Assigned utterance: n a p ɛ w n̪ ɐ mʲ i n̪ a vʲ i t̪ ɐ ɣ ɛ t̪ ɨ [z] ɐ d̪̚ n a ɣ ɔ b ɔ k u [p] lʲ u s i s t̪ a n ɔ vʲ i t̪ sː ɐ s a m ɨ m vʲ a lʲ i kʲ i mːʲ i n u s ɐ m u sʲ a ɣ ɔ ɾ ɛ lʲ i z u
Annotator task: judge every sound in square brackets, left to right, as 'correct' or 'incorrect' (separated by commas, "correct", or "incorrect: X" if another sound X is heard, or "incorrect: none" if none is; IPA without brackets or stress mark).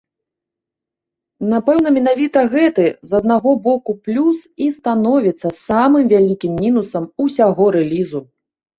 correct, correct